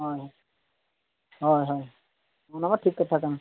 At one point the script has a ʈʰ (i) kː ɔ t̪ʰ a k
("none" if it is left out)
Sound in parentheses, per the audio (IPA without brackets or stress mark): i